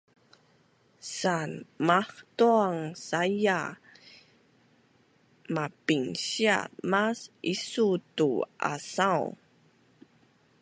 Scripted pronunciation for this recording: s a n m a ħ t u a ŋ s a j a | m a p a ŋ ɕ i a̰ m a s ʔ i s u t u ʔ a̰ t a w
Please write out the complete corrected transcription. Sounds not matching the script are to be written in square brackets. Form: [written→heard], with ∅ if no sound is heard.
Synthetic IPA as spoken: s a n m a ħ t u a ŋ s a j a | m a p [a→i] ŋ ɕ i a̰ m a s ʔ i s u t u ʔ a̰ [t→s] a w